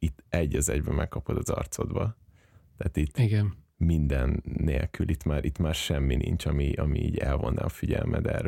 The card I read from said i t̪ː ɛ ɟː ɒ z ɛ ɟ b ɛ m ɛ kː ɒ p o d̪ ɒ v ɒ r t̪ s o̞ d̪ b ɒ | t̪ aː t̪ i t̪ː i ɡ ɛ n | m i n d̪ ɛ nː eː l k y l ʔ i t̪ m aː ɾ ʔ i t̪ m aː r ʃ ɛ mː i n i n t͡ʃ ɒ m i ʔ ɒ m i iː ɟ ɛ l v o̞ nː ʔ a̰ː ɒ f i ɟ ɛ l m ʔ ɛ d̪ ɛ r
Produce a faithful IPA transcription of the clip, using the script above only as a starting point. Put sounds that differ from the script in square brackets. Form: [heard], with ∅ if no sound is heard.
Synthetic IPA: i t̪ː ɛ ɟː ɒ z ɛ ɟ b ɛ m ɛ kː ɒ p o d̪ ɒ [z] ɒ r t̪ s o̞ d̪ b ɒ | t̪ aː t̪ i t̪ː i ɡ ɛ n | m i n d̪ ɛ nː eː l k y l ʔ i t̪ m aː ɾ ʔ i t̪ m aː r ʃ ɛ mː i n i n t͡ʃ ɒ m i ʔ ɒ m i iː ɟ ɛ l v o̞ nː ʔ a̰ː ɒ f i ɟ ɛ l m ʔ ɛ d̪ ɛ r